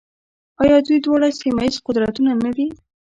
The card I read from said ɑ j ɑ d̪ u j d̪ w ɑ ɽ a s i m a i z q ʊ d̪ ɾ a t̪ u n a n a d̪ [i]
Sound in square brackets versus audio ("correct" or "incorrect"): correct